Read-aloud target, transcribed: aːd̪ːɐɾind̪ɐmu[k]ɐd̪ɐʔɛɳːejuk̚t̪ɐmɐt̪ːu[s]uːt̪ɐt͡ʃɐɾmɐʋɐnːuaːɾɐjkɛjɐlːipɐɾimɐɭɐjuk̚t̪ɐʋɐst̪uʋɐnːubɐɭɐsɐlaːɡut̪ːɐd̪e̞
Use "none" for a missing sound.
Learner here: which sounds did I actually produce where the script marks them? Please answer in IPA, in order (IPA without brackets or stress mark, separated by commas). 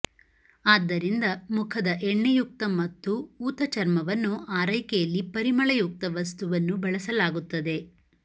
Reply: kʰ, none